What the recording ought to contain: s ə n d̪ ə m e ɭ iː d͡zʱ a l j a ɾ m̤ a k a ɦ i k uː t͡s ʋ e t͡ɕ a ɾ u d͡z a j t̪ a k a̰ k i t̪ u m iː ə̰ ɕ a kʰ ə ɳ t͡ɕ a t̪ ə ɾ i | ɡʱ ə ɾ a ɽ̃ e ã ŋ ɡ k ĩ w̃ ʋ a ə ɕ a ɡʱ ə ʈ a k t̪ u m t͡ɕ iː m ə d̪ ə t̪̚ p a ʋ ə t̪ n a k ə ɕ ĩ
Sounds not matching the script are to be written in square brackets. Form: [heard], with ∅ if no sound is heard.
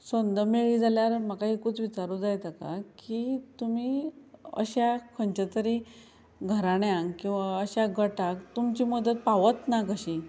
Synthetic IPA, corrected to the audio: s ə n d̪ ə m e ɭ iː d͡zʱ a l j a ɾ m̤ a k a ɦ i k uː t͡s ʋ [i] t͡ɕ a ɾ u d͡z a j t̪ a k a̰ k i t̪ u m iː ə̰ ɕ a kʰ ə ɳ t͡ɕ a t̪ ə ɾ i | ɡʱ ə ɾ a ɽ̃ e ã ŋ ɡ k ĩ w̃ ʋ a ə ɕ a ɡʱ ə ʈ a k t̪ u m t͡ɕ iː m ə d̪ ə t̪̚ p a ʋ ə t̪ n a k ə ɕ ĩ